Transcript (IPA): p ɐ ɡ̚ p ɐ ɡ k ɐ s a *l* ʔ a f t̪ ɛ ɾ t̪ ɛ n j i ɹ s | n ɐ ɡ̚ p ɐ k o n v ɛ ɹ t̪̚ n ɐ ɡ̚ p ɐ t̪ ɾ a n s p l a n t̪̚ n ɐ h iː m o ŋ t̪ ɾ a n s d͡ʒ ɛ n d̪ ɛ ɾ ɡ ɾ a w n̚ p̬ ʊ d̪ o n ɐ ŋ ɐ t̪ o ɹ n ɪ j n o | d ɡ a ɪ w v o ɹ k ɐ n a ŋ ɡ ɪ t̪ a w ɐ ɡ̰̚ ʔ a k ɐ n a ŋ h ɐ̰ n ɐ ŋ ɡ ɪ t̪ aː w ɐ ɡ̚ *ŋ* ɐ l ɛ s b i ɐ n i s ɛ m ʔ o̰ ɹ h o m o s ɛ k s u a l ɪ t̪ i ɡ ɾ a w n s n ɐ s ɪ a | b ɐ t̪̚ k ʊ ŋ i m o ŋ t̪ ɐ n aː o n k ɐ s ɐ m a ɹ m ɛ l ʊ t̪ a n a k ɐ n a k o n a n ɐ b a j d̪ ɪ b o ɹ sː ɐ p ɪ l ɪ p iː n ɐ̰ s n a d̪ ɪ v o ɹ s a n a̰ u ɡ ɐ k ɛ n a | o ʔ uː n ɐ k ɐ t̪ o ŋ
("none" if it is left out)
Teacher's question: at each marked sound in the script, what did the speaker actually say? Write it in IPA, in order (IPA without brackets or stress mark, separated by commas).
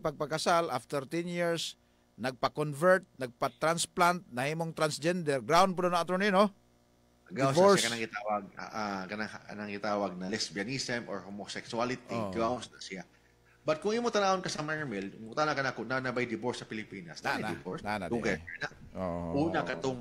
l, n